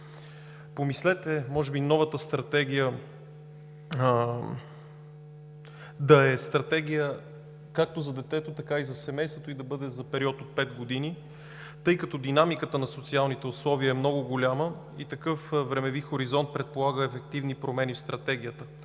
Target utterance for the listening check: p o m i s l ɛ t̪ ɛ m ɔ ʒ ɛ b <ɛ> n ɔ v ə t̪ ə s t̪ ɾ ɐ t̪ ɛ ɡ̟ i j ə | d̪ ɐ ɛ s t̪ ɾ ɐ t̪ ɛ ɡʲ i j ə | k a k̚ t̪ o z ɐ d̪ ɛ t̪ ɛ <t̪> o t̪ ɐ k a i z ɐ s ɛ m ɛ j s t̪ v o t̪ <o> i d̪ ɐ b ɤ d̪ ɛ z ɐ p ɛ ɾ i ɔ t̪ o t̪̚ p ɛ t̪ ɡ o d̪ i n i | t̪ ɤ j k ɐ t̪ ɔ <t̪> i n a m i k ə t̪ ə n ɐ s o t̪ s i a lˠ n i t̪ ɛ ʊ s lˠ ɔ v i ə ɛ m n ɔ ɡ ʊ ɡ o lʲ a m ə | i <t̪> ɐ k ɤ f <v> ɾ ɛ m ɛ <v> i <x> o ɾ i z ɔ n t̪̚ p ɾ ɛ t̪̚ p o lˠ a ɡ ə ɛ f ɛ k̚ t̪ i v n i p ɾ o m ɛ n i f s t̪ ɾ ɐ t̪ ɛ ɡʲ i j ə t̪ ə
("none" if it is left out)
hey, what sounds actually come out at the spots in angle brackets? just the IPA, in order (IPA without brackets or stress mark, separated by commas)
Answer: i, t̪, o, d̪, t̪, v, v, x